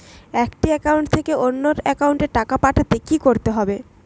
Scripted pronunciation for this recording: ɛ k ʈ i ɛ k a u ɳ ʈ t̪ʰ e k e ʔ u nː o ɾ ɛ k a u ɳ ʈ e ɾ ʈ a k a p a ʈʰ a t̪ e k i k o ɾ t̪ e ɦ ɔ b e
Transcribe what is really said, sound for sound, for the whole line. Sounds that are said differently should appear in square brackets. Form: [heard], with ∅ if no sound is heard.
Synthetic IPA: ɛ k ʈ i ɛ k a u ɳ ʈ t̪ʰ e k e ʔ [o] nː o ɾ ɛ k a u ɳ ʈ e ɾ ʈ a k a p a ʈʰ a t̪ e k i k o ɾ t̪ e ɦ ɔ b e